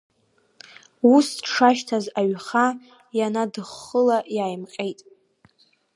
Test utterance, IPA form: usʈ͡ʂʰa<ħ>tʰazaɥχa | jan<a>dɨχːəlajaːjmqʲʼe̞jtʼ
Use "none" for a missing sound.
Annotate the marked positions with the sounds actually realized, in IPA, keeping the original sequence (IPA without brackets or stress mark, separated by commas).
ʃ, a